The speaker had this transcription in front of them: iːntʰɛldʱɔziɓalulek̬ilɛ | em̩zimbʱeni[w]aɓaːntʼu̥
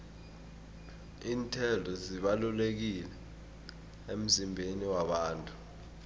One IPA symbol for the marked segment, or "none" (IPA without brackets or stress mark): w